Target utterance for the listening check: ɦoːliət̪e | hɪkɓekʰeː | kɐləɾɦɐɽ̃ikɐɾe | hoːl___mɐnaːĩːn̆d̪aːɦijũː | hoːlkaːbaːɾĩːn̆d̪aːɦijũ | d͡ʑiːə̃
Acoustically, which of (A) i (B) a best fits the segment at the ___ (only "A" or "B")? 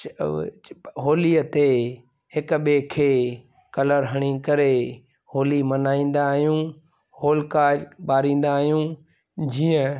A